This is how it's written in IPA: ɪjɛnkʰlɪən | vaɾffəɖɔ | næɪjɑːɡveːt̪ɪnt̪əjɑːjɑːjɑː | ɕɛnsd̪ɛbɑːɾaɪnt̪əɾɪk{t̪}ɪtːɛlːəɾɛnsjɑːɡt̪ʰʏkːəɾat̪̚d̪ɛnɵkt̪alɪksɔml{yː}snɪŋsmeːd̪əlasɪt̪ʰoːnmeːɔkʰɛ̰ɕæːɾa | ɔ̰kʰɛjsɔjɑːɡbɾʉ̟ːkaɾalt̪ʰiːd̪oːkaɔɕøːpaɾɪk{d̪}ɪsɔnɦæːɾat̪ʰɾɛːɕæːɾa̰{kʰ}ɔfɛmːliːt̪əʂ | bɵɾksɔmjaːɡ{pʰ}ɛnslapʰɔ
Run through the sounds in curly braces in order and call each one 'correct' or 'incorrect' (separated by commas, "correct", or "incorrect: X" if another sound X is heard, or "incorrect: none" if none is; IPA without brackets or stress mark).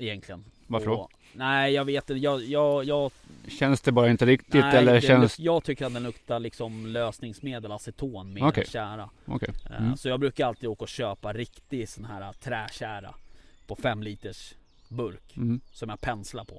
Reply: correct, incorrect: øː, incorrect: t̪, incorrect: pʰ, correct